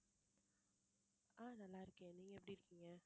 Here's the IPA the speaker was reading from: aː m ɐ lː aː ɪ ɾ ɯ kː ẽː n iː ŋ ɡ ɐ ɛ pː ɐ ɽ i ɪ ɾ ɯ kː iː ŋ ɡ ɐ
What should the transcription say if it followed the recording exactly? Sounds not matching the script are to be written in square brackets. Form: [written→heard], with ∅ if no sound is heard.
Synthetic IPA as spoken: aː [m→n] ɐ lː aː ɪ ɾ ɯ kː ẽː n iː ŋ ɡ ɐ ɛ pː ɐ ɽ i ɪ ɾ ɯ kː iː ŋ ɡ ɐ